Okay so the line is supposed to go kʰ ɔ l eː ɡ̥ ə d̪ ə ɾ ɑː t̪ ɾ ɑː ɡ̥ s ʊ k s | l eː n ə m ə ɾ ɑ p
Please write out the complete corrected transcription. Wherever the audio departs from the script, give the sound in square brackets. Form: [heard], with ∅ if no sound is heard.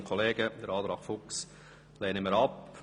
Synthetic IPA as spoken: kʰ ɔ l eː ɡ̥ ə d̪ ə ɾ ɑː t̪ ɾ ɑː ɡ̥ [f] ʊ k s | l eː n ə m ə ɾ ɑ p